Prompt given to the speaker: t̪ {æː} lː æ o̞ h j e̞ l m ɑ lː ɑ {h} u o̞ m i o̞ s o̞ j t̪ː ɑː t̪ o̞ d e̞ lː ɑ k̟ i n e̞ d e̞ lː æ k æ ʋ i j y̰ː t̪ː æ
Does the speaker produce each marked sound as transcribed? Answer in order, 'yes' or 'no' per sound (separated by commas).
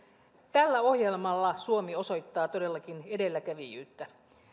no, no